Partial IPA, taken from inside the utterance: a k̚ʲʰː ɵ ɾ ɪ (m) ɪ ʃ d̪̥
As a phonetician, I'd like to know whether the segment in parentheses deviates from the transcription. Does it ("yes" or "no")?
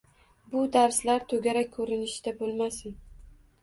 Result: yes